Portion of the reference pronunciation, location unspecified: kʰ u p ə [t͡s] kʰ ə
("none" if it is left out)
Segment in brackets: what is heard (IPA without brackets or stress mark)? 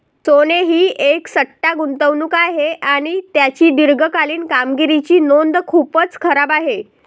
t͡s